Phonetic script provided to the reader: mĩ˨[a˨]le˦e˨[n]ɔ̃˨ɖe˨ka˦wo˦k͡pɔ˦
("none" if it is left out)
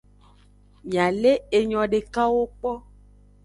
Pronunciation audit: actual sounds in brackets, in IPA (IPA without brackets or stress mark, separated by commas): a˨, ɲ